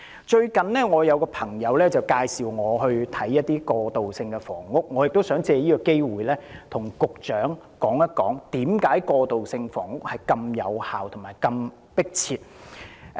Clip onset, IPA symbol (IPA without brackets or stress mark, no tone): t͡ʃ